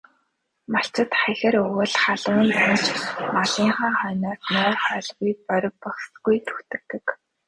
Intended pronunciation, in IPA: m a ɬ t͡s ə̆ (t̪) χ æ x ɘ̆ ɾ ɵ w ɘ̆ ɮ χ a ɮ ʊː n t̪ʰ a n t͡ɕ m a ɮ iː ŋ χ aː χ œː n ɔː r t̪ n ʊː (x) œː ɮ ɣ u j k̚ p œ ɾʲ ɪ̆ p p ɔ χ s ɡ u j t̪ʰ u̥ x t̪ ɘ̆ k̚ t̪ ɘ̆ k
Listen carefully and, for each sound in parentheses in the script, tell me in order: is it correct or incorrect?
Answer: correct, incorrect

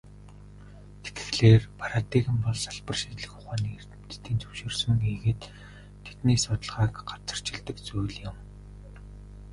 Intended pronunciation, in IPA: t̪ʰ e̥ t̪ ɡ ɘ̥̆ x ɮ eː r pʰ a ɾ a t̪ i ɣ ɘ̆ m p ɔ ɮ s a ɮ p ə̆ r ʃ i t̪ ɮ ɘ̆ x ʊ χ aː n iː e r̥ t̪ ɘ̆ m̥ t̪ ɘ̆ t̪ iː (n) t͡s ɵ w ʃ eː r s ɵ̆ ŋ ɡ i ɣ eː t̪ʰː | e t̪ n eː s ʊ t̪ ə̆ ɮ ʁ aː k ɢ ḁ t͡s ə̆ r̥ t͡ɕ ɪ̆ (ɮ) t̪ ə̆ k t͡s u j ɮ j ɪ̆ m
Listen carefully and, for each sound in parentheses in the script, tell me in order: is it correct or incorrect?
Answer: correct, correct

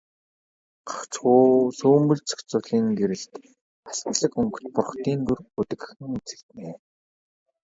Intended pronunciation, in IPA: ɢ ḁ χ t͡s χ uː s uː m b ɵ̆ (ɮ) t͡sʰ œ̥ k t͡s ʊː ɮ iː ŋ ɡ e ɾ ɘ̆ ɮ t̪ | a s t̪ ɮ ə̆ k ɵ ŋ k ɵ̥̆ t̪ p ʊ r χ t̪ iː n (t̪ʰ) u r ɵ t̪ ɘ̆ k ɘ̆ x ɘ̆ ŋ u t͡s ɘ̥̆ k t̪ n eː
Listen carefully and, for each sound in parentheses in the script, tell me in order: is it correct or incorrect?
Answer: correct, incorrect

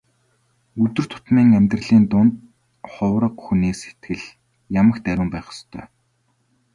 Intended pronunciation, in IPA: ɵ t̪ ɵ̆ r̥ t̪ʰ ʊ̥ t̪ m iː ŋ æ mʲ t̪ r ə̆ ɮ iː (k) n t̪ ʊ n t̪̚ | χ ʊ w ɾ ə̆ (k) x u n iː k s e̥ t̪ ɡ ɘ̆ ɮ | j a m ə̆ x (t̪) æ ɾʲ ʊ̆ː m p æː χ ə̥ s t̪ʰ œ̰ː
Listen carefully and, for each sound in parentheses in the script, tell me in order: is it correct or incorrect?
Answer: incorrect, incorrect, correct

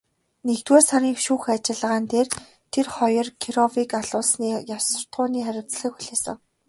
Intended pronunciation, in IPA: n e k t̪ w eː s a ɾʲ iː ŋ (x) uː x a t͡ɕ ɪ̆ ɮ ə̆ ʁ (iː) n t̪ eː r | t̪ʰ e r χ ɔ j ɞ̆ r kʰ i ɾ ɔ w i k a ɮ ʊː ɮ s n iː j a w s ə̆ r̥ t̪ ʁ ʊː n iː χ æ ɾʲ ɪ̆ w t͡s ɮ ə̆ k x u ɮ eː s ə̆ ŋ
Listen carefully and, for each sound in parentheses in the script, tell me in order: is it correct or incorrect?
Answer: incorrect, incorrect

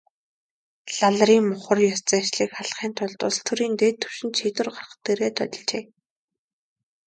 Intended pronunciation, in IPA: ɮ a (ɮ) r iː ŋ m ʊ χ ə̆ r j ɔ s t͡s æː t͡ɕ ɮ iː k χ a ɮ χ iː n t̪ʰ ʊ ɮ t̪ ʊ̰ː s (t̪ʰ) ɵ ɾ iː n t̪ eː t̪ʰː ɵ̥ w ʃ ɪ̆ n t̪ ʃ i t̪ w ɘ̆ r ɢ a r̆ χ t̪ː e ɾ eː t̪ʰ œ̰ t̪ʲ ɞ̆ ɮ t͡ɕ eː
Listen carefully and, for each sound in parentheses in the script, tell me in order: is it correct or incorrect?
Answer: correct, correct

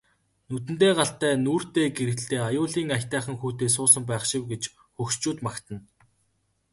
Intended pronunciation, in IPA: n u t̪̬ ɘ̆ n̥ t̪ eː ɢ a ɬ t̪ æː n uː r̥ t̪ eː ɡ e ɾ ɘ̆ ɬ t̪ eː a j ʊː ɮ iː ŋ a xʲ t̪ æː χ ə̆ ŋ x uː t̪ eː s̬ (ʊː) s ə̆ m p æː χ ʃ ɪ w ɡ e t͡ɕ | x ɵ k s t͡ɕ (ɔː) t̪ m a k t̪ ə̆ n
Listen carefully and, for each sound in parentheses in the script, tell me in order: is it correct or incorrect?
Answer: correct, incorrect

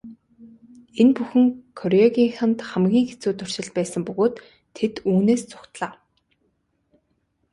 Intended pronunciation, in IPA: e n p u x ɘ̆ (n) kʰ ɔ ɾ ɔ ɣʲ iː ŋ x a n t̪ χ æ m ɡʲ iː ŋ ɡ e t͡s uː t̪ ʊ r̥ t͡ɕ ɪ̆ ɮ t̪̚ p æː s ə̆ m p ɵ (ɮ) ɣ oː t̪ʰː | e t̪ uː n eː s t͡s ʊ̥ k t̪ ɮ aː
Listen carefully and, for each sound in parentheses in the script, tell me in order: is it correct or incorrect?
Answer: incorrect, incorrect

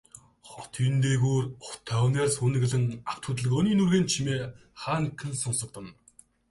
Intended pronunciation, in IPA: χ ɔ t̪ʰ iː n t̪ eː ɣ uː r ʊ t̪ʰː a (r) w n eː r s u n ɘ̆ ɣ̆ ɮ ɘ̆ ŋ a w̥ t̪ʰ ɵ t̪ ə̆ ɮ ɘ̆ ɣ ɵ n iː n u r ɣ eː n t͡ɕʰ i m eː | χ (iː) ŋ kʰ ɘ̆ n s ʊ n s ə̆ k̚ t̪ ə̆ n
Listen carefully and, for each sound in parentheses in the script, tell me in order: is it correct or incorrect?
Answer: incorrect, incorrect

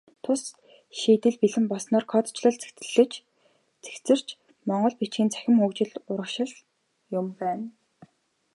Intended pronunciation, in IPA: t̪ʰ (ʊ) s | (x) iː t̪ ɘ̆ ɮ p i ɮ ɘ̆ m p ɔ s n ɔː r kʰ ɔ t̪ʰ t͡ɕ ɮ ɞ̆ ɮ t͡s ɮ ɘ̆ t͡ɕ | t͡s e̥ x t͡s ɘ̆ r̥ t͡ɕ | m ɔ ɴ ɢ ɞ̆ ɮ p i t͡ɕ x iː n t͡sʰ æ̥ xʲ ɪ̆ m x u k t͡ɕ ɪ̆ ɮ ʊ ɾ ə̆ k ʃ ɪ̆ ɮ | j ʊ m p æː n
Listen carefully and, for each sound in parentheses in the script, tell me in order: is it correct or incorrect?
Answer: correct, incorrect

